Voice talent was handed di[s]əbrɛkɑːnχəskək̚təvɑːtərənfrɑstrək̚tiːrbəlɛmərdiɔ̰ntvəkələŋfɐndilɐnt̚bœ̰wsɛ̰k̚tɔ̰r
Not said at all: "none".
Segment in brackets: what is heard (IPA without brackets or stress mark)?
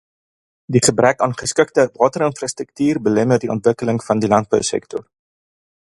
χ